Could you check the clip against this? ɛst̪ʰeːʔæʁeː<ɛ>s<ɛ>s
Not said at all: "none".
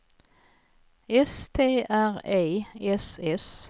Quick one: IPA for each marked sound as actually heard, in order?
ɛ, ɛ

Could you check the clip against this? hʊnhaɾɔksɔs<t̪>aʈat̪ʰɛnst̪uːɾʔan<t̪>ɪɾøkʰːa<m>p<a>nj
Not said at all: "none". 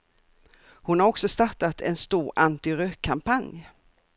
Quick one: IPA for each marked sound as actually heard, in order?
t̪, t̪, m, a

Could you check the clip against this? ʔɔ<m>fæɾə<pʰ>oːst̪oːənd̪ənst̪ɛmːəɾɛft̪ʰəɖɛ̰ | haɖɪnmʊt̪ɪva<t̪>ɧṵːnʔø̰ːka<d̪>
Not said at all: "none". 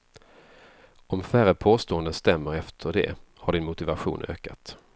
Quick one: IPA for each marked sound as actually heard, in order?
m, pʰ, none, t̪

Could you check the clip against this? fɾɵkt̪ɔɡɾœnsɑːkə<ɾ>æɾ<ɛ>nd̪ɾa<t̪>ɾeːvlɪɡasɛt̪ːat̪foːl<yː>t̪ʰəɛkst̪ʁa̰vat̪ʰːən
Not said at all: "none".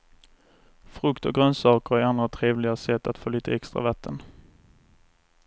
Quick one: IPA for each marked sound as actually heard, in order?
ɾ, a, t̪ʰ, iː

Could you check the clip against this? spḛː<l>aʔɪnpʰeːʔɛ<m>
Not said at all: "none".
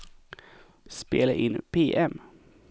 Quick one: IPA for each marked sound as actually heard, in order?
l, m

